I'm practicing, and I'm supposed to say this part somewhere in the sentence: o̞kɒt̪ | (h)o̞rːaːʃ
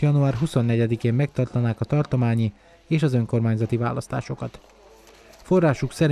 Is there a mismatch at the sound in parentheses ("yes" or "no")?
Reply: yes